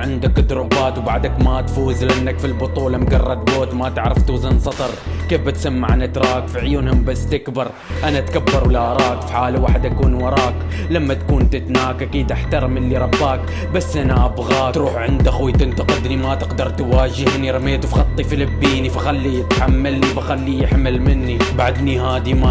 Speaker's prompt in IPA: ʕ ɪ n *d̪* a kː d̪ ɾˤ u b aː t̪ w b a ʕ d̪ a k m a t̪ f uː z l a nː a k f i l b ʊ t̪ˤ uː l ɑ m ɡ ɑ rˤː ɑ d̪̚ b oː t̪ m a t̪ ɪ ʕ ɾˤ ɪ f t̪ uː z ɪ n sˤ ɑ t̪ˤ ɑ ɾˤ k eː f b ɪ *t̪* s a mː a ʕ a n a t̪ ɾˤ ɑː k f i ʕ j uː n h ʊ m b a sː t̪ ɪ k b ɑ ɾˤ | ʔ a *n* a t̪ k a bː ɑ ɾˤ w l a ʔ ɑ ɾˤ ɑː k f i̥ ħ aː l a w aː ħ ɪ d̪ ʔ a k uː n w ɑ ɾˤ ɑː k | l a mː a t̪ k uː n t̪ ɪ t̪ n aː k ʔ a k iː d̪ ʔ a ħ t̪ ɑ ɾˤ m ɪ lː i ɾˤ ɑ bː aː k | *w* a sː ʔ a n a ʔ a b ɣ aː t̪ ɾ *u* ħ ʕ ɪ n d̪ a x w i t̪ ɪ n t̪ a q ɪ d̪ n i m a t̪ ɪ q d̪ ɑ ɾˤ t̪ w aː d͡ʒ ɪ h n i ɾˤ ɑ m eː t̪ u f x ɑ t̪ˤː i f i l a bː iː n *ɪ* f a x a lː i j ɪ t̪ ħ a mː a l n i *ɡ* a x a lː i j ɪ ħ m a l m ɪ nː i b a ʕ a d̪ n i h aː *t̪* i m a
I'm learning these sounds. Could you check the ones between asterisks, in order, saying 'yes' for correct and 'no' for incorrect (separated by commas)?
yes, yes, yes, no, no, no, no, no